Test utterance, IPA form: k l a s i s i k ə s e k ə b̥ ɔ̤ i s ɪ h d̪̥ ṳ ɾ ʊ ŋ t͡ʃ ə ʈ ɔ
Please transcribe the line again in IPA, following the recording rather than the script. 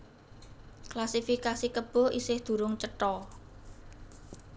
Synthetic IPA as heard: k l a s i f i k a s i k ə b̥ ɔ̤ i s ɪ h d̪̥ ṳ ɾ ʊ ŋ t͡ʃ ə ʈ ɔ

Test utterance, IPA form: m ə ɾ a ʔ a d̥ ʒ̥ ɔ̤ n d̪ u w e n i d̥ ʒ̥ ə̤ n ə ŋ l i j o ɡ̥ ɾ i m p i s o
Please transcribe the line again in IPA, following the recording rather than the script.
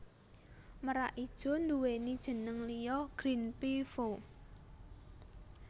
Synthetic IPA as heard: m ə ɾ a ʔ i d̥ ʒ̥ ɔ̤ n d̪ u w e n i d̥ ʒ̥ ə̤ n ə ŋ l i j ɔ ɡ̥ ɾ i n p i f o

